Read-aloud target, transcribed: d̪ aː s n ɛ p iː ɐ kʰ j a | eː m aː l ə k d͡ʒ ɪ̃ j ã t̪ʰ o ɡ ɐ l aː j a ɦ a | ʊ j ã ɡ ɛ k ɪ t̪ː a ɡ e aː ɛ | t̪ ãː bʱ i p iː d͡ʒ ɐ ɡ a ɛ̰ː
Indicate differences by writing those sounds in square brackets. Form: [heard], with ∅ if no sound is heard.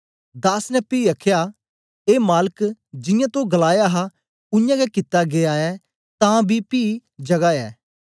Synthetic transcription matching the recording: d̪ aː s n ɛ p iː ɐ kʰ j a | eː m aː l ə k d͡ʒ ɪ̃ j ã [t̪] o ɡ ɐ l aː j a ɦ a | ʊ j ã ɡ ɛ k ɪ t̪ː a ɡ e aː ɛ | t̪ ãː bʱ i p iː d͡ʒ ɐ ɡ a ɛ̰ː